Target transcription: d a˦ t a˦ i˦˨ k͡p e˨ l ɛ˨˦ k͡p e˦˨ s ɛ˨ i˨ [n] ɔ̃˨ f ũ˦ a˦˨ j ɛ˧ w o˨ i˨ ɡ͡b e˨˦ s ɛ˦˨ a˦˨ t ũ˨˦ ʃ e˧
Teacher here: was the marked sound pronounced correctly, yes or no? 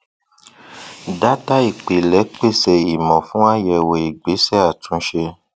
no